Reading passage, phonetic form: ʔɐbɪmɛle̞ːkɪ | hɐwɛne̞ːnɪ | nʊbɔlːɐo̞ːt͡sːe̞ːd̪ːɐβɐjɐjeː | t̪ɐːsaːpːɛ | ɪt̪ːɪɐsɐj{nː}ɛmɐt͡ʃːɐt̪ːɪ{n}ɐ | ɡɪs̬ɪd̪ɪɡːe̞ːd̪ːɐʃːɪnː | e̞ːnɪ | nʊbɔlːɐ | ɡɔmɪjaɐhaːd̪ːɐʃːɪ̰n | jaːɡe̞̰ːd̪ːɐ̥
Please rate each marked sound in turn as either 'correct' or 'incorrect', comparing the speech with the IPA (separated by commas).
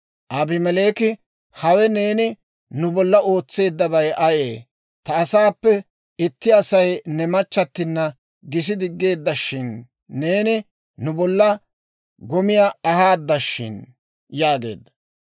incorrect, incorrect